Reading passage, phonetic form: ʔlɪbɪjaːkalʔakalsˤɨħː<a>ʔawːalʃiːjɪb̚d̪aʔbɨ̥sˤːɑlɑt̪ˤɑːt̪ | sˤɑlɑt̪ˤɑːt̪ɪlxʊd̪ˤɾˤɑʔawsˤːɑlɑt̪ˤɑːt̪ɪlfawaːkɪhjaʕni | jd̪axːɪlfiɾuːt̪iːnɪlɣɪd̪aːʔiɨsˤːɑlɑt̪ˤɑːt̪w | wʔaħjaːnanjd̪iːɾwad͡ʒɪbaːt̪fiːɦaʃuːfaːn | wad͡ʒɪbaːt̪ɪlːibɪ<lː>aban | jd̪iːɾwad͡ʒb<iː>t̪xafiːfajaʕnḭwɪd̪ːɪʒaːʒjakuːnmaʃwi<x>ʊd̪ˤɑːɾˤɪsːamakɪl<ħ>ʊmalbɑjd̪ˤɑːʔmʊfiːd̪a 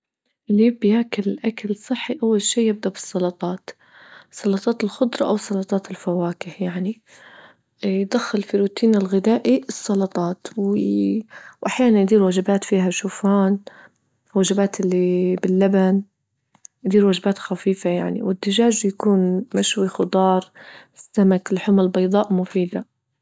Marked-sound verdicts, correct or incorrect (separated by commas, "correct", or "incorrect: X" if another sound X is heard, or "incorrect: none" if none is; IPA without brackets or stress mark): incorrect: i, correct, incorrect: aː, correct, correct